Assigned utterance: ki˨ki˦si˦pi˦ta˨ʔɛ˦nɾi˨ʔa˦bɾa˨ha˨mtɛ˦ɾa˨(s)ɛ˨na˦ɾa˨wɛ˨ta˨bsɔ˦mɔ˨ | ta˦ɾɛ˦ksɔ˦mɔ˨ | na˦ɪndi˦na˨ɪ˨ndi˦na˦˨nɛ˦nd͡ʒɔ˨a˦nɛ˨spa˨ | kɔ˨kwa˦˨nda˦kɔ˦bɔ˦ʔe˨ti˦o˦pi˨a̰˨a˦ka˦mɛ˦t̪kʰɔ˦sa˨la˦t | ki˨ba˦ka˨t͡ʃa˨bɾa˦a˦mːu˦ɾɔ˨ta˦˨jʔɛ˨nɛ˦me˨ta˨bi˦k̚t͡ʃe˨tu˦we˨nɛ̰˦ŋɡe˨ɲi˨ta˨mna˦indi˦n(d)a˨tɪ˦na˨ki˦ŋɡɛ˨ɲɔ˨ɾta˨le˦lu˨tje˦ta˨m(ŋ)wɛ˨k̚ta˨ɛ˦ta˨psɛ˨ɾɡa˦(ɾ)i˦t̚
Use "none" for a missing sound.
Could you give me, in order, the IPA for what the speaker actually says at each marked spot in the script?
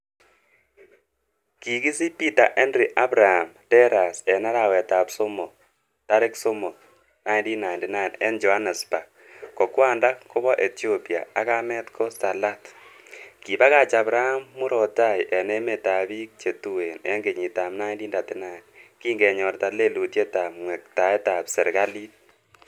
s, d, ŋ, l

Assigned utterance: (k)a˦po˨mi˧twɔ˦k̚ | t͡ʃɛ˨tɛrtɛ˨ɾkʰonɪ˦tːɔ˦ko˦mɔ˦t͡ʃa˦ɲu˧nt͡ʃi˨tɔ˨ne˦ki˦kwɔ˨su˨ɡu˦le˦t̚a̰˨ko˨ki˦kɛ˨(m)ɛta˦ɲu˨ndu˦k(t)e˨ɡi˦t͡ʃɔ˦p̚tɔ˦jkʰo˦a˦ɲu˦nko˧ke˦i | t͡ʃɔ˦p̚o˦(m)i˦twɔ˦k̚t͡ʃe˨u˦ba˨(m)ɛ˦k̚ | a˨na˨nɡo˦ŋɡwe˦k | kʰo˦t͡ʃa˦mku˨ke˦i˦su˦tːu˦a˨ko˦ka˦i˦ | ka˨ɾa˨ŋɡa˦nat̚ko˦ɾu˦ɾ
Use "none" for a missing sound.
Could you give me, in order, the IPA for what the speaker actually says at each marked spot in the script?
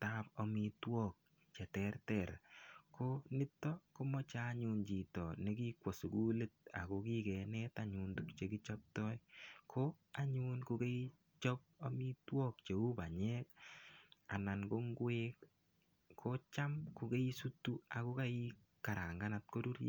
t, n, t͡ʃ, m, ɲ

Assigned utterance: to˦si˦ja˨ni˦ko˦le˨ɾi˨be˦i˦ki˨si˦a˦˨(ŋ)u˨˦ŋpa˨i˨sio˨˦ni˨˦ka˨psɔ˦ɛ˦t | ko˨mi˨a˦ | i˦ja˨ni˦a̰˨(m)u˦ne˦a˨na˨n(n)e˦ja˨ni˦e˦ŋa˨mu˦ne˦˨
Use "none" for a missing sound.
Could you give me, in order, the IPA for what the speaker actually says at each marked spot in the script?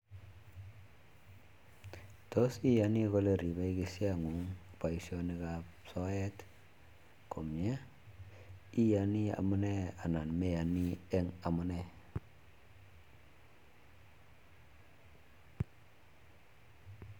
ŋ, m, m

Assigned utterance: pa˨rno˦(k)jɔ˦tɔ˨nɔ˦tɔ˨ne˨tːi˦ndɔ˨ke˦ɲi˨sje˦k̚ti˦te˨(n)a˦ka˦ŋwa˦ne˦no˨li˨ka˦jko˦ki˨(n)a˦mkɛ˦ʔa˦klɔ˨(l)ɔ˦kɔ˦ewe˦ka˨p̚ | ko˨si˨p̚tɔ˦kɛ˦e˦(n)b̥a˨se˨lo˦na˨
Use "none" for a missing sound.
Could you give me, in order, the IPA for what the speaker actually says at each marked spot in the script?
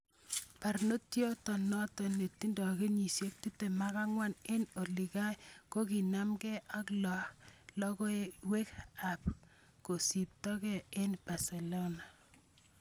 t, m, n, l, n

